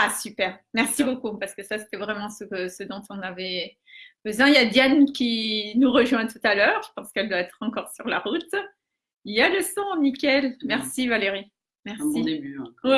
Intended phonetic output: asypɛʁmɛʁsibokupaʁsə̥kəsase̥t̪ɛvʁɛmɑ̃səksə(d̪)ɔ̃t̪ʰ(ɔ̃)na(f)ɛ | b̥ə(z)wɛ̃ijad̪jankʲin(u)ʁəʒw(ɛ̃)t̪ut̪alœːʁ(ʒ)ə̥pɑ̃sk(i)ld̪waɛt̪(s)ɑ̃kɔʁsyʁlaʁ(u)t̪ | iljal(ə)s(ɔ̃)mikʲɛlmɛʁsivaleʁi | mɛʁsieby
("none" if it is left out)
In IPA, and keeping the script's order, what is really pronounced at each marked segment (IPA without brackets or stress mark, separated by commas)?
d̪, ɔ̃, v, z, u, ɛ̃, ʒ, ɛ, χ, u, ə, ɔ̃